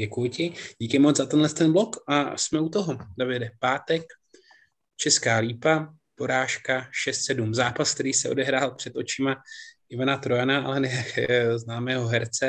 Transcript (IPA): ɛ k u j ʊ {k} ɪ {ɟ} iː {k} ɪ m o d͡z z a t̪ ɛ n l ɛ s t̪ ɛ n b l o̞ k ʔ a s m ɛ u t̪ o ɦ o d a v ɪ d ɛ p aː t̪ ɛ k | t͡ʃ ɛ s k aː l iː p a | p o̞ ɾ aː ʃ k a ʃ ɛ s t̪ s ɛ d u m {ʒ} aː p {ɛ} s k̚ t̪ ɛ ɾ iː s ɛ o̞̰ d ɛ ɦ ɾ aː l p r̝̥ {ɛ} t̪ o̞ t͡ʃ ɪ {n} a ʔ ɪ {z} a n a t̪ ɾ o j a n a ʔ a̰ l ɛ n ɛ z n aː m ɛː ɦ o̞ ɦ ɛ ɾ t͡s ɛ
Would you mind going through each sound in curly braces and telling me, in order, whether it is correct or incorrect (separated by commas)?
incorrect, correct, correct, incorrect, incorrect, correct, incorrect, incorrect